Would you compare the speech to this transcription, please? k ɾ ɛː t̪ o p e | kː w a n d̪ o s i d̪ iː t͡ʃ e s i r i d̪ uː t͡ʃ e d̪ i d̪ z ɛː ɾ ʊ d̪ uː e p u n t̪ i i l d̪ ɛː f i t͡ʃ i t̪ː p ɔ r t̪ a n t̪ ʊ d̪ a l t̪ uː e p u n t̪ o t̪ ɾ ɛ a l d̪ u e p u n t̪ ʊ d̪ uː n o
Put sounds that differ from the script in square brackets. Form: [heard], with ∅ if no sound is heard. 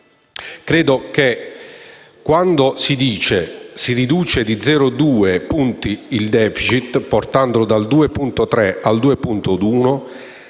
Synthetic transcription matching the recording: k ɾ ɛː [d̪] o [k] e | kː w a n d̪ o s i d̪ iː t͡ʃ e s i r i d̪ uː t͡ʃ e d̪ i d̪ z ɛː ɾ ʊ d̪ uː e p u n t̪ i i l d̪ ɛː f i t͡ʃ i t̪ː p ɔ r t̪ a n [d̪] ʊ d̪ a l [d̪] uː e p u n t̪ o t̪ ɾ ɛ a l d̪ [uː] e p u n t̪ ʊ d̪ uː n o